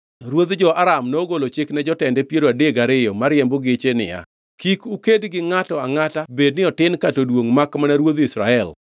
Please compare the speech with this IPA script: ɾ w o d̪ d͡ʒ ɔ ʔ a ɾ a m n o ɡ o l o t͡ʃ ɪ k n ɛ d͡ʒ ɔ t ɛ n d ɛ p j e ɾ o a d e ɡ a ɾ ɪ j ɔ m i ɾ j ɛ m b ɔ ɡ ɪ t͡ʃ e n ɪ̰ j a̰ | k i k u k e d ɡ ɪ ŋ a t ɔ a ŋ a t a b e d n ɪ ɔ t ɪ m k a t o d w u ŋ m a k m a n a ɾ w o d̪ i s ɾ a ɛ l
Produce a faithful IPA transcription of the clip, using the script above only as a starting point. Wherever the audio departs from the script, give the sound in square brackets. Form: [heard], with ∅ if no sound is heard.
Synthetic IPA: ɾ w o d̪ d͡ʒ ɔ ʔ a ɾ a m n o ɡ o l o t͡ʃ ɪ k n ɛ d͡ʒ ɔ t ɛ n d ɛ p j e ɾ o a d e ɡ a ɾ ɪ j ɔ m [a] ɾ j ɛ m b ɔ ɡ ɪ t͡ʃ e n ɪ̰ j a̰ | k i k u k e d ɡ ɪ ŋ a t ɔ a ŋ a t a b e d n ɪ ɔ t ɪ [n] k a t o d w [o] ŋ m a k m a n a ɾ w o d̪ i s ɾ a ɛ l